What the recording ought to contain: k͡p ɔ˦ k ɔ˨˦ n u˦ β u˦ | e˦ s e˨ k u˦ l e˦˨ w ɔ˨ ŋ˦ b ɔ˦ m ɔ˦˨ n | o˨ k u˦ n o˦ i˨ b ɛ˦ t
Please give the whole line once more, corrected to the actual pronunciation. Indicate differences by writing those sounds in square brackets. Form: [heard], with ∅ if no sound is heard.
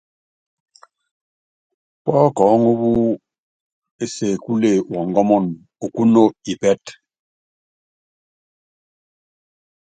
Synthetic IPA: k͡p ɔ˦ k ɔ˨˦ [ŋ] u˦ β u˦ | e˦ s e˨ k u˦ l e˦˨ w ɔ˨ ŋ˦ [ɡ] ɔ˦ m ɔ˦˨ n | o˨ k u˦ n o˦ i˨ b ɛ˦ t